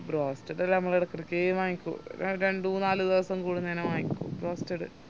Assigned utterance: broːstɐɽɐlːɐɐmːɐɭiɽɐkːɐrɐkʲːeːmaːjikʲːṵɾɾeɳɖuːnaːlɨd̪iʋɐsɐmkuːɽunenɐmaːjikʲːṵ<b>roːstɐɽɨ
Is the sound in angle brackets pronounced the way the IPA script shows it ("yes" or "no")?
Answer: yes